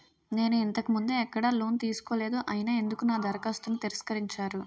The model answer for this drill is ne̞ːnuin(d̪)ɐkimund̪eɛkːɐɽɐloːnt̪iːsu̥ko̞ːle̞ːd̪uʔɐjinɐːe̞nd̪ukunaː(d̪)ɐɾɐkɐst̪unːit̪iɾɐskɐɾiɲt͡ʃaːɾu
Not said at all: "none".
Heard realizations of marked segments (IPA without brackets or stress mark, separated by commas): t̪, d̪